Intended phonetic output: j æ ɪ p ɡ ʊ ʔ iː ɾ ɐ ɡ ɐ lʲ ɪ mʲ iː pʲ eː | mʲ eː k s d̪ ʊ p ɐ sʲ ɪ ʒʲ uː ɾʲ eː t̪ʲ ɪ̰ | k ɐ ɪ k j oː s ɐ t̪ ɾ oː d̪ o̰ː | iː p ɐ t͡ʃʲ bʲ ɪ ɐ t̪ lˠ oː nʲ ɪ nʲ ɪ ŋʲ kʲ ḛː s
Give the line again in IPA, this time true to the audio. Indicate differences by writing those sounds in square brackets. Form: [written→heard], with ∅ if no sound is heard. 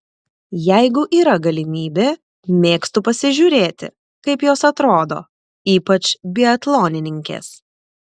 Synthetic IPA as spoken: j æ ɪ [p→∅] ɡ ʊ ʔ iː ɾ ɐ ɡ ɐ lʲ ɪ mʲ iː [pʲ→bʲ] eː | mʲ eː k s [d̪→t̪] ʊ p ɐ sʲ ɪ ʒʲ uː ɾʲ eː t̪ʲ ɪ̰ | k ɐ ɪ [k→p] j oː s ɐ t̪ ɾ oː d̪ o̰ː | iː p ɐ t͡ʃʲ bʲ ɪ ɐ t̪ lˠ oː nʲ ɪ nʲ ɪ ŋʲ kʲ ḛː s